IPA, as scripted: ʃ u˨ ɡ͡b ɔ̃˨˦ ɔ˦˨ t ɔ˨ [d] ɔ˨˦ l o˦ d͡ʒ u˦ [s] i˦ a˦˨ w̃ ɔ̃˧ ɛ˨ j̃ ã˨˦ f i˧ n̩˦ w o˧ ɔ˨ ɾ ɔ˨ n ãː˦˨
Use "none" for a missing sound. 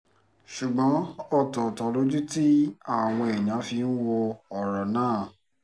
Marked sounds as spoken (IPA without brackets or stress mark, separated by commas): t, t